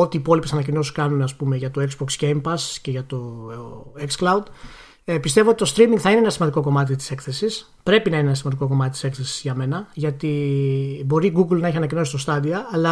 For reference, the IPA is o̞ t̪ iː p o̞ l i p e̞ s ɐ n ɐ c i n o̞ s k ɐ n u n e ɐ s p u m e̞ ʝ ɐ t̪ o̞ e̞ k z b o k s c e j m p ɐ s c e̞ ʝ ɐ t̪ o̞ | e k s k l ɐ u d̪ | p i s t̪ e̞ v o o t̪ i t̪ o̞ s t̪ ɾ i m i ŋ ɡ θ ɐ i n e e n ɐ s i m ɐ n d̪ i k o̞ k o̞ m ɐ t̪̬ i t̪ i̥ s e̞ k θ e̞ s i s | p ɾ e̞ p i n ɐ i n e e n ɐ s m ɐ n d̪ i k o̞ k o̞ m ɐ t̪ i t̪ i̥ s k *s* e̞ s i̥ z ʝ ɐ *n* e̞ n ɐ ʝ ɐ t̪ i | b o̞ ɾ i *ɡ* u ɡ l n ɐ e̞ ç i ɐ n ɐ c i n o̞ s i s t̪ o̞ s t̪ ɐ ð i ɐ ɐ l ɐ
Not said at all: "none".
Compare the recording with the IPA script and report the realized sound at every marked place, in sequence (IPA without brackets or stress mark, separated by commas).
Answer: θ, m, ɡ